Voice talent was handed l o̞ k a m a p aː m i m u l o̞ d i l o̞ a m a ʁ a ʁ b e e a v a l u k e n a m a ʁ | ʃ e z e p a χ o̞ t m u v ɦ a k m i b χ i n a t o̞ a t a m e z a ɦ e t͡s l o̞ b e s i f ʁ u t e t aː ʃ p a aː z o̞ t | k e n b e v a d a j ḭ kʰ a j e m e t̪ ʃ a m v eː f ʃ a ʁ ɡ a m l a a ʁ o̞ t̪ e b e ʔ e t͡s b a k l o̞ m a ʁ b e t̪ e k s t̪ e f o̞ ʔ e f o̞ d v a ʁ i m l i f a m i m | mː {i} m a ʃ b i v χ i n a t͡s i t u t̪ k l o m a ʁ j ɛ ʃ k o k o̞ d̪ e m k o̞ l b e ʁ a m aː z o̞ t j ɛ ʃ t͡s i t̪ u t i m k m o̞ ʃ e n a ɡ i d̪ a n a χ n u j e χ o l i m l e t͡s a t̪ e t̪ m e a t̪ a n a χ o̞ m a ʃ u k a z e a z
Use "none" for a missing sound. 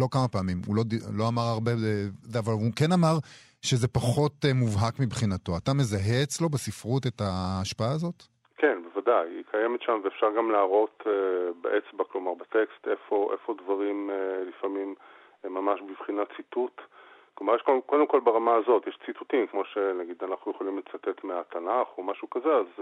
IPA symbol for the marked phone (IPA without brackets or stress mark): a